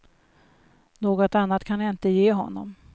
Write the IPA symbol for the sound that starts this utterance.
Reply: n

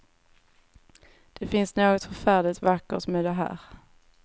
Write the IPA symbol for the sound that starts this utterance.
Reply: d̪̥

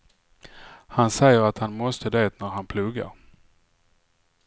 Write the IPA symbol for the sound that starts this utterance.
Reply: h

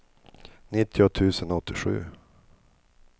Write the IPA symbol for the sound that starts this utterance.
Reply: n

